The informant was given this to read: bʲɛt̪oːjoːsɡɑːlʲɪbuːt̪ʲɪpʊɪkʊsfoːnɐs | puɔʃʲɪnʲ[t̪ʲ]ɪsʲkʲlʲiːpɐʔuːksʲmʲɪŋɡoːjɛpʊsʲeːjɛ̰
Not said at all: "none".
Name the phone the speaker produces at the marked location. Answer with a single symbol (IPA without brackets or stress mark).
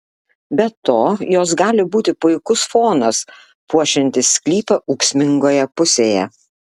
t̪ʲ